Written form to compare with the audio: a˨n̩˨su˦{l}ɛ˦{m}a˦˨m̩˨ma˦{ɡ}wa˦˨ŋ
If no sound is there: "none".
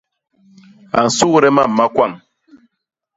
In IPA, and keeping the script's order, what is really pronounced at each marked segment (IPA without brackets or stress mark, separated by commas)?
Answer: ɾ, m, k